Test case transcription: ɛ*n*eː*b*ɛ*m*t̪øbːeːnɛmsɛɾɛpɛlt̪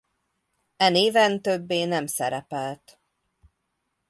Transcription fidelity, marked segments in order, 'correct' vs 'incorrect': correct, incorrect: v, incorrect: n

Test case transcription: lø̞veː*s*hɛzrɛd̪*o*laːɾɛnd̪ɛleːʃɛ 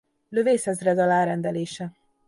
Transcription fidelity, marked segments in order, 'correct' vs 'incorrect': correct, incorrect: ɒ

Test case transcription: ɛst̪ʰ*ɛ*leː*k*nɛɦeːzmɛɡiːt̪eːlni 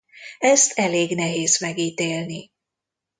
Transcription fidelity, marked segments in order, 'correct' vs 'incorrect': correct, incorrect: ɡ

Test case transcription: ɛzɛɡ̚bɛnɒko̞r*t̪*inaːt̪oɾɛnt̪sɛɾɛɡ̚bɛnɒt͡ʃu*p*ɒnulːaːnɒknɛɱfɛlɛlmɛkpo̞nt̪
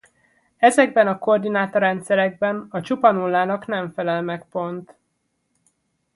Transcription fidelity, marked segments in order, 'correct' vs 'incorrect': incorrect: d̪, correct

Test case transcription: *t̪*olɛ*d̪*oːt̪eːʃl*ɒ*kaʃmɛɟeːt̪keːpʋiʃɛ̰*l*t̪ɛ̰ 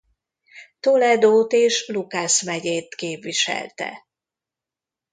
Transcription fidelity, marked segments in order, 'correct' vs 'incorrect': correct, correct, incorrect: u, correct

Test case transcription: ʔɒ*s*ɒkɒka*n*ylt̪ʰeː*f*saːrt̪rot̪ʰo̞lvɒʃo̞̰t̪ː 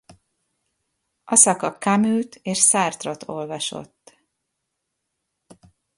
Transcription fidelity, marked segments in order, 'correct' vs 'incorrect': correct, incorrect: m, incorrect: ʃ

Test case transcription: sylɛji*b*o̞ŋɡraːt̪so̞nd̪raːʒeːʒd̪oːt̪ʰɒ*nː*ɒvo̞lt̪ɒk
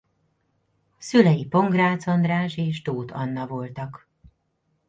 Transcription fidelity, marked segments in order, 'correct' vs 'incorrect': incorrect: p, correct

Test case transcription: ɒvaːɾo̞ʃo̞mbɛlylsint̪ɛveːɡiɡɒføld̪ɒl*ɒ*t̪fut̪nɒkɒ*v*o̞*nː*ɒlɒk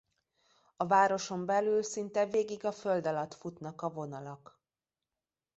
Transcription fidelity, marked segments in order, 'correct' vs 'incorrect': correct, correct, incorrect: n

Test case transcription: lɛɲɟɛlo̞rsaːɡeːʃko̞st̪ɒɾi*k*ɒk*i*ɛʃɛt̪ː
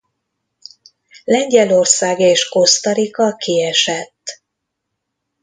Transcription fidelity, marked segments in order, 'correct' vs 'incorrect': correct, correct

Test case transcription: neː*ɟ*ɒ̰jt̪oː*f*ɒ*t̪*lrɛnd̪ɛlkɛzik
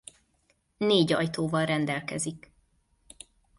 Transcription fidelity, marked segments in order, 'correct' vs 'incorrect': correct, incorrect: v, incorrect: none

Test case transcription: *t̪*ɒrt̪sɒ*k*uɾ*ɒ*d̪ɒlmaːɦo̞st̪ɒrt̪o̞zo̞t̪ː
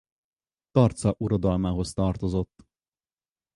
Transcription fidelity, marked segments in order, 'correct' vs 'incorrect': correct, incorrect: ʔ, incorrect: o

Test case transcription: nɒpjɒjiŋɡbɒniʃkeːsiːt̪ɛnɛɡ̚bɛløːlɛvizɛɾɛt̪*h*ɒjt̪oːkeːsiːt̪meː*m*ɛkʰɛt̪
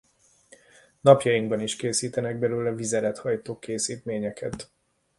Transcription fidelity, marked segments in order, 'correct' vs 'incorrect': correct, incorrect: ɲ

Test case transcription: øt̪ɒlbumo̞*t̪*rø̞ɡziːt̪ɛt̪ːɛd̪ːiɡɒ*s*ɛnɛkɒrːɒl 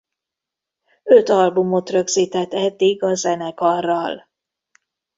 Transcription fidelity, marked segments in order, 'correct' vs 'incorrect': correct, incorrect: z

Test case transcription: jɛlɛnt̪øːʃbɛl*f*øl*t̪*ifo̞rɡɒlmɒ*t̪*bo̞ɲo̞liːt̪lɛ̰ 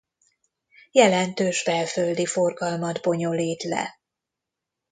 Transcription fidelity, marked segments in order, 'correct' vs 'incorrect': correct, incorrect: d̪, incorrect: d̪

